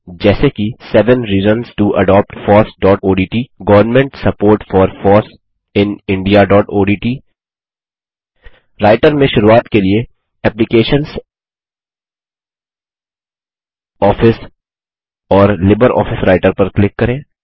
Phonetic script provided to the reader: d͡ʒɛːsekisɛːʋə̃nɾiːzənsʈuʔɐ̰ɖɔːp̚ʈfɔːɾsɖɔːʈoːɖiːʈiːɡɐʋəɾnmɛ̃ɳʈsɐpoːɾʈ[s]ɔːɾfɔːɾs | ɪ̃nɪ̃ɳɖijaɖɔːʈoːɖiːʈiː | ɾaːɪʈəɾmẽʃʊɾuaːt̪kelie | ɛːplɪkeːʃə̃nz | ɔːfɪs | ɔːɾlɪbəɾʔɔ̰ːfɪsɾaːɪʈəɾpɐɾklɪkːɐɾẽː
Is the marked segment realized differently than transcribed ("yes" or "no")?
yes